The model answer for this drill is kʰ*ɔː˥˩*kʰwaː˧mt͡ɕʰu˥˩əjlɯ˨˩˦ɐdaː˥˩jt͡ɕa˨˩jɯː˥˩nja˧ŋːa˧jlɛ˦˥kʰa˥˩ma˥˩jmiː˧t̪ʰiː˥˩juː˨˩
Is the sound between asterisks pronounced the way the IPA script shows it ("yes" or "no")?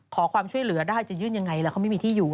no